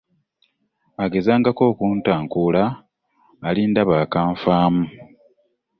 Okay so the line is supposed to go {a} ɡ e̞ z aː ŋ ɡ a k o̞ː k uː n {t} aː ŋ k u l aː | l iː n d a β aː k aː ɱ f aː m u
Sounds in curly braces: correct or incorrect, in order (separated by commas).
correct, correct